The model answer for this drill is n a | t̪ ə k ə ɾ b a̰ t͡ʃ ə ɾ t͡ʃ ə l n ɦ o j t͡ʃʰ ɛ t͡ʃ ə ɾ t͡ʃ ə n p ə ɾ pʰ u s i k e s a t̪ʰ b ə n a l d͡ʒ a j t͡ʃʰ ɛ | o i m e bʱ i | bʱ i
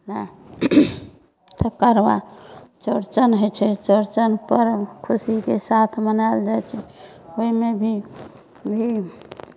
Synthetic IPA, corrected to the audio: n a | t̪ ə k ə ɾ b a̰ t͡ʃ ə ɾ t͡ʃ ə n ɦ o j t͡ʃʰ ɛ t͡ʃ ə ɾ t͡ʃ ə n p ə ɾ kʰ u s i k e s a t̪ʰ m ə n a l d͡ʒ a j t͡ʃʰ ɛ | o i m e bʱ i | bʱ i